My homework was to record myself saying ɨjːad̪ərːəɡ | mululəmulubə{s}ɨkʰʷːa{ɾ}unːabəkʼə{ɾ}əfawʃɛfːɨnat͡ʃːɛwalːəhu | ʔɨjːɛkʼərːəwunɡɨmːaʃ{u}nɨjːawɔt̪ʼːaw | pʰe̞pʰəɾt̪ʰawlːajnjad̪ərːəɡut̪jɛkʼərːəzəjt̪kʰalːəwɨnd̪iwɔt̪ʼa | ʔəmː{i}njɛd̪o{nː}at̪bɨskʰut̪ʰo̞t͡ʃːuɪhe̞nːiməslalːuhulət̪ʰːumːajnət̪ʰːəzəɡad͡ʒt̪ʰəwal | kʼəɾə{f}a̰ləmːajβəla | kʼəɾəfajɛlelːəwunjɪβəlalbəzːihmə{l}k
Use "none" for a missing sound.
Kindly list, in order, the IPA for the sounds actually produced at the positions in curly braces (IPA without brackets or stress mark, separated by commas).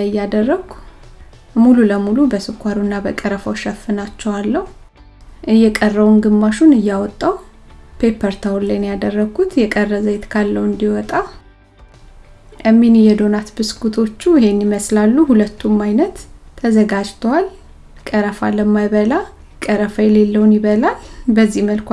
s, ɾ, ɾ, u, i, n, f, l